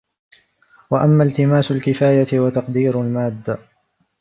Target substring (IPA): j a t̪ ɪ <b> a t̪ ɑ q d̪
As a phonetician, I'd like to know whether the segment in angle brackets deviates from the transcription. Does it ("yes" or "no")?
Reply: yes